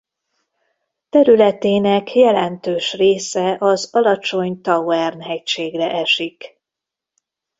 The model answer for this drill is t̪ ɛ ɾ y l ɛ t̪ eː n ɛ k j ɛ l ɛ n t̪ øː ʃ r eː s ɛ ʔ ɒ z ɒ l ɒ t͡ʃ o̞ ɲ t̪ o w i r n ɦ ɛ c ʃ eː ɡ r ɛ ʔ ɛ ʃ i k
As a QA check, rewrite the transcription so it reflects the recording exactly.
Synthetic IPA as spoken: t̪ ɛ ɾ y l ɛ t̪ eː n ɛ k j ɛ l ɛ n t̪ øː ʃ r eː s ɛ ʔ ɒ z ɒ l ɒ t͡ʃ o̞ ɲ t̪ ɒ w ɛ r n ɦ ɛ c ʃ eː ɡ r ɛ ʔ ɛ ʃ i k